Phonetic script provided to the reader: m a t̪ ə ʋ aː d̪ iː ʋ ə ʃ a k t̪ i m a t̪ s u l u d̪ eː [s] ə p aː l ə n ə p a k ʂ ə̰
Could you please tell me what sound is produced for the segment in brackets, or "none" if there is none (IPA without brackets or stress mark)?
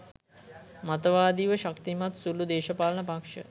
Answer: ʃ